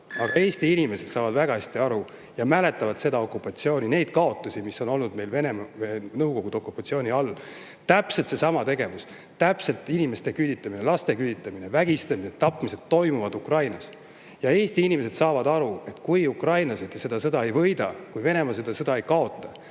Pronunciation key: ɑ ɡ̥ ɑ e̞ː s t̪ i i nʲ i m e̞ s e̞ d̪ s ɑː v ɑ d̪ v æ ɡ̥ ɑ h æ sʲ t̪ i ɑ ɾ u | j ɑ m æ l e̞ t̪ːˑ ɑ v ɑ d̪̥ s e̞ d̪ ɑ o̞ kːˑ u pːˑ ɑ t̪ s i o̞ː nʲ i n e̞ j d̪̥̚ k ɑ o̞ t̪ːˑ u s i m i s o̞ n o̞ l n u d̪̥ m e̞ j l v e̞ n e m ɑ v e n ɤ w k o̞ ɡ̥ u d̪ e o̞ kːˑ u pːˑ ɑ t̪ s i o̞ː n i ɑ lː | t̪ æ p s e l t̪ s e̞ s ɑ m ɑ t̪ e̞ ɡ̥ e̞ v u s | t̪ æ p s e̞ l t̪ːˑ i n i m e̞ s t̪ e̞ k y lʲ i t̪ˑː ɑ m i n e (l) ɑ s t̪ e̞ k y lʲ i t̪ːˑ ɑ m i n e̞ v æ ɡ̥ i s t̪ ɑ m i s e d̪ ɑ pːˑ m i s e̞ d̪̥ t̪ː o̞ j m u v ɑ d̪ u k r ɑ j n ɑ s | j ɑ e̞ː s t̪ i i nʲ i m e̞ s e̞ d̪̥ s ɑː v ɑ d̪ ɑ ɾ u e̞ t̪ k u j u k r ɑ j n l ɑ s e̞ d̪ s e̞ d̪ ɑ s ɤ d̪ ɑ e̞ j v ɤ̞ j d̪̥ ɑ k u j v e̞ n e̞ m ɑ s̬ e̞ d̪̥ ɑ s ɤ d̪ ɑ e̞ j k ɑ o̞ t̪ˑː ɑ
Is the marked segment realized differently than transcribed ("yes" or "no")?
no